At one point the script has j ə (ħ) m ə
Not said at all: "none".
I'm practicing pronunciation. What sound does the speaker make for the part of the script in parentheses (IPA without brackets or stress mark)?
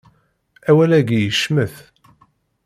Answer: ʃ